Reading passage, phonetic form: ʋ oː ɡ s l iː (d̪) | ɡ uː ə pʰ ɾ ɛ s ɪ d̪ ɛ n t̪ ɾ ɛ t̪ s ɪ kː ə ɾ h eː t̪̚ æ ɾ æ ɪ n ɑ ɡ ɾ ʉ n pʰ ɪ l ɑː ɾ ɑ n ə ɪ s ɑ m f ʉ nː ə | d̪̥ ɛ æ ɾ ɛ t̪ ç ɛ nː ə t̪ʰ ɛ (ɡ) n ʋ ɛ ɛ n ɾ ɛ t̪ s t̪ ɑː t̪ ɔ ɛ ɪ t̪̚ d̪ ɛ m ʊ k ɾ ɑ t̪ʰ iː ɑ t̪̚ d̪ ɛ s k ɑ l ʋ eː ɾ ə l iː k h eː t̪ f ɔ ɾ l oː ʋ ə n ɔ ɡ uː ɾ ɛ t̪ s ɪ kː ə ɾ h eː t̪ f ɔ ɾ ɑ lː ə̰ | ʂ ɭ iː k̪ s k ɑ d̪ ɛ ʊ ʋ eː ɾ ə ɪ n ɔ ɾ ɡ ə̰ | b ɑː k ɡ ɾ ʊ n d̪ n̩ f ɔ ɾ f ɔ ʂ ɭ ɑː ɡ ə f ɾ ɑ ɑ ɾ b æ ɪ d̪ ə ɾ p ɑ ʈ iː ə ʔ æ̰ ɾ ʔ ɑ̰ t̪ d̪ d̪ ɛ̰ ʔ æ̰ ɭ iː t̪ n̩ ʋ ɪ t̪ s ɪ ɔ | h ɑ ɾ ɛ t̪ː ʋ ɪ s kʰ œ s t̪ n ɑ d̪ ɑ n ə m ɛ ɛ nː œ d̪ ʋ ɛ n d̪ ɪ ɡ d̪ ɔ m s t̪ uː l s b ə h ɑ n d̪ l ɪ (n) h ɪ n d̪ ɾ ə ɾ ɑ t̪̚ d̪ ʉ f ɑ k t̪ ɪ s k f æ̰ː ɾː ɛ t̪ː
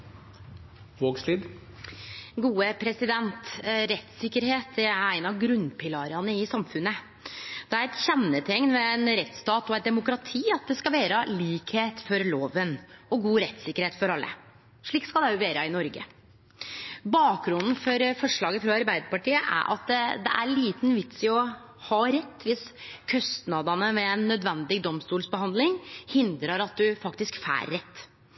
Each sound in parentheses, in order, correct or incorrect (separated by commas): correct, incorrect, incorrect